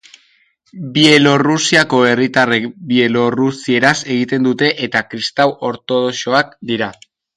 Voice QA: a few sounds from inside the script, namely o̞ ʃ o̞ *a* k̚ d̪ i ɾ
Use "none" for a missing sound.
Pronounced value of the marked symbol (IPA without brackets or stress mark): a